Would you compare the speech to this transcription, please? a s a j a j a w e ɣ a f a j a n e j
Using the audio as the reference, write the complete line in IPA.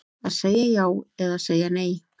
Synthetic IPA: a s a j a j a w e ð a s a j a n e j